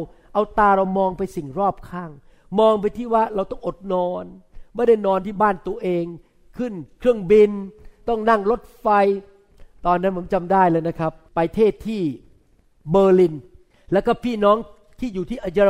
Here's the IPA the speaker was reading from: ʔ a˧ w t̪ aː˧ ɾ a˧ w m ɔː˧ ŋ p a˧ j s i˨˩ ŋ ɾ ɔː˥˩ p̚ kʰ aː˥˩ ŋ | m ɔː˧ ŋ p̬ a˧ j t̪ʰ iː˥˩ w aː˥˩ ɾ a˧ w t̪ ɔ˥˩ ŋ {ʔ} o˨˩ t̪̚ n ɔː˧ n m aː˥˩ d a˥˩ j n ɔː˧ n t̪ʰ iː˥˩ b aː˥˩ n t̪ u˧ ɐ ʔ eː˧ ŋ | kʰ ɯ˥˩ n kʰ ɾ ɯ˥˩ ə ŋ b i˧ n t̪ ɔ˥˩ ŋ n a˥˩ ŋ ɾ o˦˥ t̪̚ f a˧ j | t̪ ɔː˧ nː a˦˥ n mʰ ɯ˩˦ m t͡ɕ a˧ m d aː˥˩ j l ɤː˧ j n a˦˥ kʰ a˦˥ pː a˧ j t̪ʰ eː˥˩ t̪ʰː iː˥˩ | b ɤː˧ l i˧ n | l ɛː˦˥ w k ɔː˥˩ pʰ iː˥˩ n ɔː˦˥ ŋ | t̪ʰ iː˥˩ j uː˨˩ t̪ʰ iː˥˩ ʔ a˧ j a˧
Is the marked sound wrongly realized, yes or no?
no